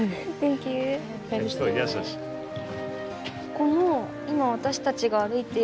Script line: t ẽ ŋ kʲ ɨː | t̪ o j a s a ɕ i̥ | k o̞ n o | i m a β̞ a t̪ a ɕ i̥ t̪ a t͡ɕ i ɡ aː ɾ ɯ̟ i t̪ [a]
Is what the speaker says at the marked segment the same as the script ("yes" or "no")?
no